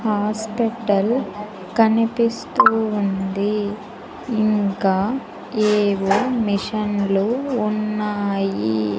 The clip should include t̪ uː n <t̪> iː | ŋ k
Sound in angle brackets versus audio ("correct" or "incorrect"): incorrect